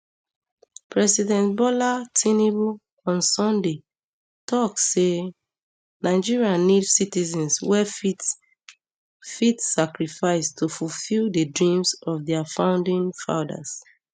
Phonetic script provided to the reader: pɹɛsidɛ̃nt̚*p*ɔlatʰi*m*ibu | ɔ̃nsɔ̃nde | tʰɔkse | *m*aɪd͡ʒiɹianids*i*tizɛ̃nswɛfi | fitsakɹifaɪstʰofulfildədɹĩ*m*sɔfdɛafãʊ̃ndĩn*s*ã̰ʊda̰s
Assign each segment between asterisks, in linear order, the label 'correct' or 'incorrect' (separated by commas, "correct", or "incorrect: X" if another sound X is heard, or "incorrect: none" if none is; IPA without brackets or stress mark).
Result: incorrect: b, incorrect: n, incorrect: n, correct, correct, incorrect: f